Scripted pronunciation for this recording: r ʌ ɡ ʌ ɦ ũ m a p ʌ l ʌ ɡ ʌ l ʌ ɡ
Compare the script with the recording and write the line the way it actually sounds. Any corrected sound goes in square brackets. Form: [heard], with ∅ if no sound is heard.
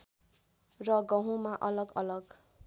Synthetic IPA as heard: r ʌ ɡ ʌ ɦ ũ m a [ʔ] ʌ l ʌ ɡ ʌ l ʌ ɡ